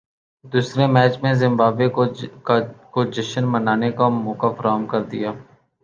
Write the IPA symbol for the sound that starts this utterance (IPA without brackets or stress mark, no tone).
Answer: d̪